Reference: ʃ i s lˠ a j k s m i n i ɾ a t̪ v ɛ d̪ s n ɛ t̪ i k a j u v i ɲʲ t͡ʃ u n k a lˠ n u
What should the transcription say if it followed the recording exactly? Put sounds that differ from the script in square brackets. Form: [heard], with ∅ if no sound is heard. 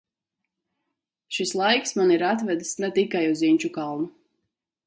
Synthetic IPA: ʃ i s lˠ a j k s m [a] n i ɾ a t̪ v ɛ d̪ s n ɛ t̪ i k a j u [z] i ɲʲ t͡ʃ u [∅] k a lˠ n u